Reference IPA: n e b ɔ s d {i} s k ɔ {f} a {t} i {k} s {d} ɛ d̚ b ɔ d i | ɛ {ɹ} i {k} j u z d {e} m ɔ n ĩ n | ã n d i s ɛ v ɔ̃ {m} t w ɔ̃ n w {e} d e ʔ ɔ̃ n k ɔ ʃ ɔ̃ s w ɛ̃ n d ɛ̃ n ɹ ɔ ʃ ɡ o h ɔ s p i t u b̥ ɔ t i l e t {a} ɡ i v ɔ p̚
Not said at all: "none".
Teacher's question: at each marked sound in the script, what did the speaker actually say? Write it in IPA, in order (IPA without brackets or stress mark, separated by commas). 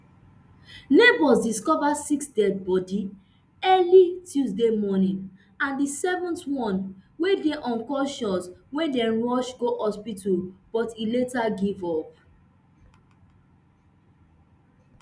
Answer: i, v, s, k, d, l, t, e, n, e, a